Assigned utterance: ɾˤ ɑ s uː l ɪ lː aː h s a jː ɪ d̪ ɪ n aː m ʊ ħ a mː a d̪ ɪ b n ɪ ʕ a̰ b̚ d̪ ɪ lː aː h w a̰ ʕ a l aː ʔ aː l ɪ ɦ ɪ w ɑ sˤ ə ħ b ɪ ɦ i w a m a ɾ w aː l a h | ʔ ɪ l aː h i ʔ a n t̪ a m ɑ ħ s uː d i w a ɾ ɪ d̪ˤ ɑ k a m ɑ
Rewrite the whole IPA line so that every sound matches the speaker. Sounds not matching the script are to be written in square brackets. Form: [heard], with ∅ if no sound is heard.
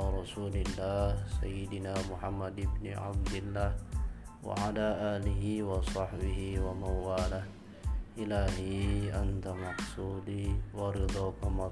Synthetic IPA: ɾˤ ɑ s uː l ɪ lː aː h s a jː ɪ d̪ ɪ n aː m ʊ ħ a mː a d̪ ɪ b n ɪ ʕ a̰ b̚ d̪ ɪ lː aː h w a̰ ʕ a l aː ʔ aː l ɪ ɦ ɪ w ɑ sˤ [ɑ] ħ b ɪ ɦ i w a m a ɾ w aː l a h | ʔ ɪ l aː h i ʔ a n t̪ a m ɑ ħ s uː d i w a ɾ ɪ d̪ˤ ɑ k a m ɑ